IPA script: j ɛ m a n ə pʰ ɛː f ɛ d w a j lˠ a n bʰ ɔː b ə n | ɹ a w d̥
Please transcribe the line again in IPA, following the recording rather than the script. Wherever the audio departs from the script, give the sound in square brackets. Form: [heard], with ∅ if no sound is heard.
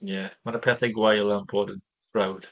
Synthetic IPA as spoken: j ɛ m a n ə pʰ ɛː [θ] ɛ [ɡ] w a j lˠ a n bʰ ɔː [d] ə n | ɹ a w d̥